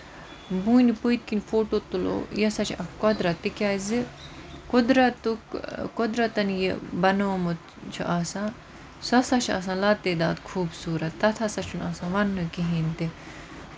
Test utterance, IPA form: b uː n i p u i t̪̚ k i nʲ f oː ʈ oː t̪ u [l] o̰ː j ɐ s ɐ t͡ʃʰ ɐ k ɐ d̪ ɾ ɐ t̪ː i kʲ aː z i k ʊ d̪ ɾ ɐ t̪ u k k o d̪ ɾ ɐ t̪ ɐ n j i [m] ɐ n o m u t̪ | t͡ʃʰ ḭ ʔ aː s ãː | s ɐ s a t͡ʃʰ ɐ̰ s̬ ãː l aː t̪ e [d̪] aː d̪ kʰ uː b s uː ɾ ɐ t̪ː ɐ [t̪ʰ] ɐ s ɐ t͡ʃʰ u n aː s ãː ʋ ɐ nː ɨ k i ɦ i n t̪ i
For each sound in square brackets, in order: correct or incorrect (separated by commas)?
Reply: correct, incorrect, correct, correct